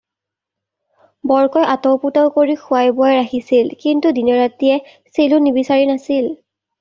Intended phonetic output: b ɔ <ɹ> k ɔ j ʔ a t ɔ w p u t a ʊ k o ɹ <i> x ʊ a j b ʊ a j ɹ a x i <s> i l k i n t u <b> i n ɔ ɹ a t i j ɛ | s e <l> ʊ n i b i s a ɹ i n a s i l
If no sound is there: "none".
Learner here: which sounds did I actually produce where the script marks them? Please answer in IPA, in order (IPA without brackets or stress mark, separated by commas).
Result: ɹ, i, s, d, l